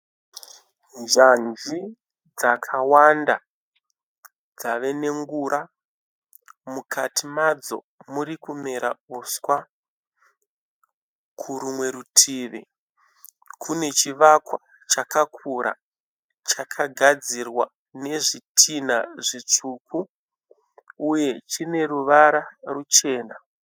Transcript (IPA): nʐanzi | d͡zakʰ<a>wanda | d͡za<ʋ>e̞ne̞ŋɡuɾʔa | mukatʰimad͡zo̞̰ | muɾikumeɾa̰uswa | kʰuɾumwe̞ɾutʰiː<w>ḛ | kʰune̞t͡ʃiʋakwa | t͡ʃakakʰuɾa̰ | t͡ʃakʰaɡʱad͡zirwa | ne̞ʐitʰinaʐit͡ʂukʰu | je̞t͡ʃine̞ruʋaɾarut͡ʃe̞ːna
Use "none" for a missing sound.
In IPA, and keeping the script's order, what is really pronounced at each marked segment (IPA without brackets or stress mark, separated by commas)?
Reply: a, ʋ, ʋ